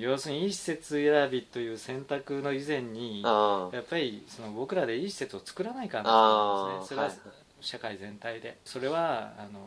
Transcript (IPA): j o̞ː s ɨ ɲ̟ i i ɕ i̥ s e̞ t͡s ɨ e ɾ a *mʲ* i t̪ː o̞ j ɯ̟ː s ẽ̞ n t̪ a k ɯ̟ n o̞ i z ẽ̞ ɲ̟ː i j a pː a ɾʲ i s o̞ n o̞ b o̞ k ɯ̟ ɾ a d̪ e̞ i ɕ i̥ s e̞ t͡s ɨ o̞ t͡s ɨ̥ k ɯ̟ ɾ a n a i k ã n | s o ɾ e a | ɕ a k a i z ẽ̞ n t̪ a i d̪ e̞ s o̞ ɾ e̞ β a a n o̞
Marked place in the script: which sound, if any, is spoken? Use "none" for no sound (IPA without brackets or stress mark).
bʲ